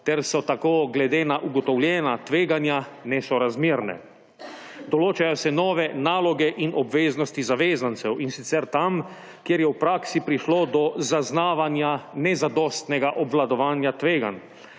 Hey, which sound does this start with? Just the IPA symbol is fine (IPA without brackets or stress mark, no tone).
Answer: t̪